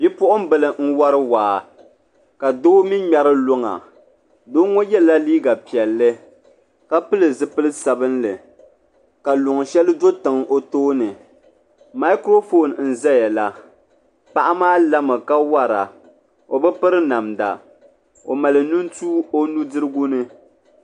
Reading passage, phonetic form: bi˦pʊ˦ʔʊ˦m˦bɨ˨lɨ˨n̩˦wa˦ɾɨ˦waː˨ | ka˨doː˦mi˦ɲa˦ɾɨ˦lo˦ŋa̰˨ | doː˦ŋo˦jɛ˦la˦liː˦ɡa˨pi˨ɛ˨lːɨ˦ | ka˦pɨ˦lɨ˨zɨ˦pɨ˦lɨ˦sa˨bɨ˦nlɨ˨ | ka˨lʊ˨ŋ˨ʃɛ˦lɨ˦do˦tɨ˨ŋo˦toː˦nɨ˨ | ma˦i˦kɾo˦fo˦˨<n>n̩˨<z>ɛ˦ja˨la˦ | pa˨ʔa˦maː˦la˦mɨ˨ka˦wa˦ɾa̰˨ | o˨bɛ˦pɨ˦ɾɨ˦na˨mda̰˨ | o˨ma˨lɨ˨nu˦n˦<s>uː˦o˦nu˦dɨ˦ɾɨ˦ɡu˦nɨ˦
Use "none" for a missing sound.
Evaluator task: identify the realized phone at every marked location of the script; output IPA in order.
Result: n, z, t

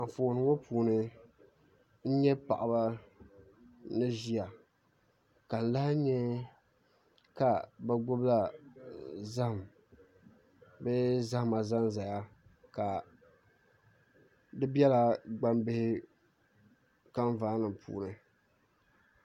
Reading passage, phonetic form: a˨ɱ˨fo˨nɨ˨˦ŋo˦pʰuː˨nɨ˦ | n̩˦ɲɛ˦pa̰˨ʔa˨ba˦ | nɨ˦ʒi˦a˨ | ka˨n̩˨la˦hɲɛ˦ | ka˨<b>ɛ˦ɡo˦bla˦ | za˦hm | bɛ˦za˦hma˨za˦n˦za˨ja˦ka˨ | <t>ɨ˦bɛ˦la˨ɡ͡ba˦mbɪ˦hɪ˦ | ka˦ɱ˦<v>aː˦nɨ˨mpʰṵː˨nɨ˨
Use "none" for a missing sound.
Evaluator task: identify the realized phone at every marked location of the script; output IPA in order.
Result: b, d, v

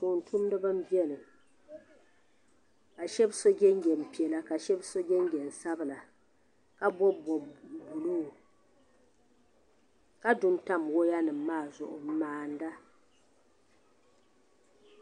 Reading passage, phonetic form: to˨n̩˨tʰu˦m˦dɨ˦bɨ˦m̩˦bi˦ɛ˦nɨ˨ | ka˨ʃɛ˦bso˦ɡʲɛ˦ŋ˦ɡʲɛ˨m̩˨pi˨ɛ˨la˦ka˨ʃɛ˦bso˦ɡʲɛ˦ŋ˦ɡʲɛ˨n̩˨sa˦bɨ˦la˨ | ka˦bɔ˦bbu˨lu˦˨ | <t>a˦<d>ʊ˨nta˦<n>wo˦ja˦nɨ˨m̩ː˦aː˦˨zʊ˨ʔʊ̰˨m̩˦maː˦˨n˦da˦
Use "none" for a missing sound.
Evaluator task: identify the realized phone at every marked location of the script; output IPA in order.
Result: k, d, m

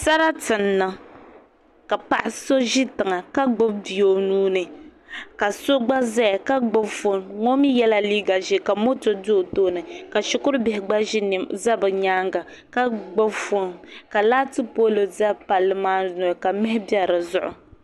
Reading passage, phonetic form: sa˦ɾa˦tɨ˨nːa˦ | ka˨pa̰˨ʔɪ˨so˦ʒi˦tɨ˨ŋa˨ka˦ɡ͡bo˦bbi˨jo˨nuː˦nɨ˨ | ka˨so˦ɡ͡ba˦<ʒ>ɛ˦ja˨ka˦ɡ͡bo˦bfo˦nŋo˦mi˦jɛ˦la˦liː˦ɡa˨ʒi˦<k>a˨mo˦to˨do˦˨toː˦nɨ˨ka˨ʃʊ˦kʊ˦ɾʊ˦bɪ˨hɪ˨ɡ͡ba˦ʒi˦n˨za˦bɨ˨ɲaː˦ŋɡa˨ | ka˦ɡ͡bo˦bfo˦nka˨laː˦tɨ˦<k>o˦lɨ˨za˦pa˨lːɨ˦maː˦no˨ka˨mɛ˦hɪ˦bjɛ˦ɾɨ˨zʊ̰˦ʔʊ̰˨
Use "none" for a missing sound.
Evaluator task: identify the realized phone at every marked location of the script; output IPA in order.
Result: z, k, p

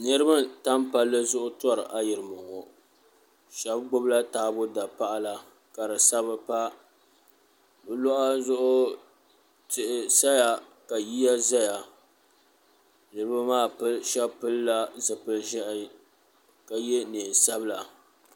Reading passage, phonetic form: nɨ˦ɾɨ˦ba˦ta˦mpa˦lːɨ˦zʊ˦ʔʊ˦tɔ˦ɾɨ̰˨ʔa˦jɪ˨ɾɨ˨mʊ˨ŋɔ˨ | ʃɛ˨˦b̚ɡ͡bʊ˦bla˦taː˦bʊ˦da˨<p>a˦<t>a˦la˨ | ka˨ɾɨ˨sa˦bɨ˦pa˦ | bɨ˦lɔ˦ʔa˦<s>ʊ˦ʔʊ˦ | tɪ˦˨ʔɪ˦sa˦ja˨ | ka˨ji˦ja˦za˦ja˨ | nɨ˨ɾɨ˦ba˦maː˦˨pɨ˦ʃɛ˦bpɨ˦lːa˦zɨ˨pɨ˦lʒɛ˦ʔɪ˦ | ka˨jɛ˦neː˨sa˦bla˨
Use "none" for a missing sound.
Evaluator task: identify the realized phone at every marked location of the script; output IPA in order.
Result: p, ʔ, z

